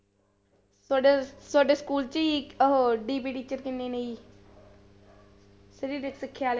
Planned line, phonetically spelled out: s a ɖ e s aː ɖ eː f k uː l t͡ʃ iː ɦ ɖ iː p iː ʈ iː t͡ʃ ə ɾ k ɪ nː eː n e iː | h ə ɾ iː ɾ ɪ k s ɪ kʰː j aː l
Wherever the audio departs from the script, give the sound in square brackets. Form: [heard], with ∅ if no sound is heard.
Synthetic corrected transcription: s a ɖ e s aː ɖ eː [s] k uː l t͡ʃ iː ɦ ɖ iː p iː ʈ iː t͡ʃ ə ɾ k ɪ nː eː n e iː | [s] ə ɾ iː ɾ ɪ k s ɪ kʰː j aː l